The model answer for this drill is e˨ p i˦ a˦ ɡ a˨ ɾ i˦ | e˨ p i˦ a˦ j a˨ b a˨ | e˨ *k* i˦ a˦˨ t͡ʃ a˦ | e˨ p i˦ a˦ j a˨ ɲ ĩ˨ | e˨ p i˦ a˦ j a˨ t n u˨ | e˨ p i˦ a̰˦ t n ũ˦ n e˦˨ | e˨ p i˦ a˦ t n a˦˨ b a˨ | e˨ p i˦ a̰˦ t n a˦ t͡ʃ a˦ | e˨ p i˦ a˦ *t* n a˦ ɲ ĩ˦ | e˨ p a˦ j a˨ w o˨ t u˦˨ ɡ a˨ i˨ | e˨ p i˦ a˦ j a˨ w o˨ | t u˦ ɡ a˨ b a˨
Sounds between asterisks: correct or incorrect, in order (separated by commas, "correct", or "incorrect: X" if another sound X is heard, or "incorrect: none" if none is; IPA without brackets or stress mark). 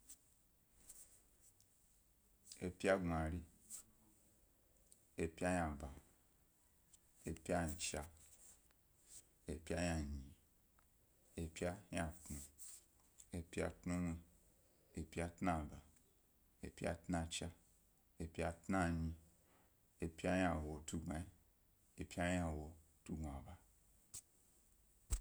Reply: incorrect: p, correct